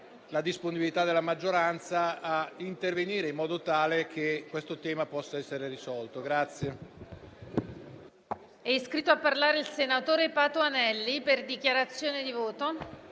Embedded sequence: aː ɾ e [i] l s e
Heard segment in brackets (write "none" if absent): i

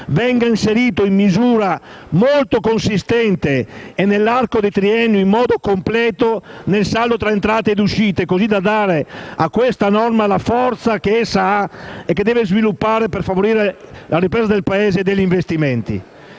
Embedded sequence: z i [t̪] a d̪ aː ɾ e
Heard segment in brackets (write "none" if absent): d̪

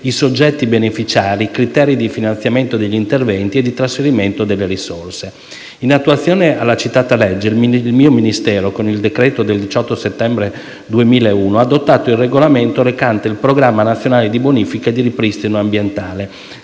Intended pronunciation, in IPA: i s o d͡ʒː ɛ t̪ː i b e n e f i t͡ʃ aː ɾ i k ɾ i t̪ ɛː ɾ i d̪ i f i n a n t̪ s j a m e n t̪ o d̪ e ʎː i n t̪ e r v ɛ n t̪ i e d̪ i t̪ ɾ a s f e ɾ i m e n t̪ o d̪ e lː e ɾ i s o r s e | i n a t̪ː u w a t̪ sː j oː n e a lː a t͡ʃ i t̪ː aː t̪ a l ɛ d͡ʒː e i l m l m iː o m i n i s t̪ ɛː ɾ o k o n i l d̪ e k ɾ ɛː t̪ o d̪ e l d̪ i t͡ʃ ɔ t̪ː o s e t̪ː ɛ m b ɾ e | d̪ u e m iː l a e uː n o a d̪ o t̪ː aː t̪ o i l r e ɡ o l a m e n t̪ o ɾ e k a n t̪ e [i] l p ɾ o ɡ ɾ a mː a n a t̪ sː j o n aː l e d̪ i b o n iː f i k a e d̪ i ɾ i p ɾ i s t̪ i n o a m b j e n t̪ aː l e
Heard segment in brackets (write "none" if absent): i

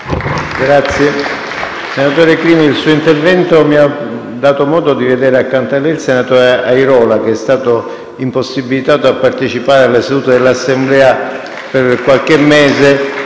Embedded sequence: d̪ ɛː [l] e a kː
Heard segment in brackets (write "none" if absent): ɾ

